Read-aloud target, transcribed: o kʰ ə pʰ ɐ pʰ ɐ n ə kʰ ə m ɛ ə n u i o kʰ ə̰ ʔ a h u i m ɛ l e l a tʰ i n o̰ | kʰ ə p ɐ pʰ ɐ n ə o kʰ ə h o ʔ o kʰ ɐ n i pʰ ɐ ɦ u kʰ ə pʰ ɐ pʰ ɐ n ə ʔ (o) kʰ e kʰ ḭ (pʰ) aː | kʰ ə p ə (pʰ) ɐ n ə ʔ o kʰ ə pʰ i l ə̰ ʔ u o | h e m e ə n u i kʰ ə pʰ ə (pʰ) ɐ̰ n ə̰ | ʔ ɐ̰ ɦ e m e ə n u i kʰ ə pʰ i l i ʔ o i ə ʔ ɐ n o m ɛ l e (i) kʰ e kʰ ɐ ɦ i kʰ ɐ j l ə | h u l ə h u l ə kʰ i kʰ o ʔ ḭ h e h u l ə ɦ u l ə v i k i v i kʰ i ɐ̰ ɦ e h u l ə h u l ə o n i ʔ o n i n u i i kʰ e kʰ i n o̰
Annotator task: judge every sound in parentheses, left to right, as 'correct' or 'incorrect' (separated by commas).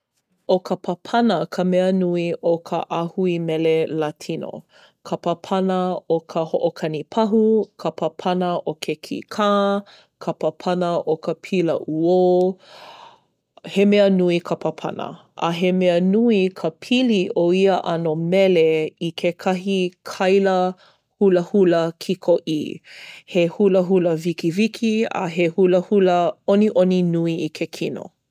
correct, incorrect, correct, correct, correct